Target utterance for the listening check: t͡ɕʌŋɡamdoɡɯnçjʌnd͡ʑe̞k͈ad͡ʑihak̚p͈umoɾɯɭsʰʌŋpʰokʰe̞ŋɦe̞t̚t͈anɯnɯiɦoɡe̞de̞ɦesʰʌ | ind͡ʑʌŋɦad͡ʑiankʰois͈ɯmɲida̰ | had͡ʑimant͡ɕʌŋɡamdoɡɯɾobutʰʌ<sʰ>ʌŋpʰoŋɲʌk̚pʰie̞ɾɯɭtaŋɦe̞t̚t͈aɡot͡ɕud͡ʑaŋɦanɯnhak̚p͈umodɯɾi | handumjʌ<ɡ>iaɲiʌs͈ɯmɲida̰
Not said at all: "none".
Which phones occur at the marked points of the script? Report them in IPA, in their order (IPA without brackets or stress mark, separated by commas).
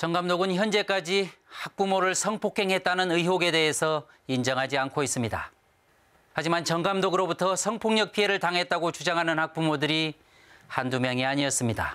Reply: sʰ, ŋ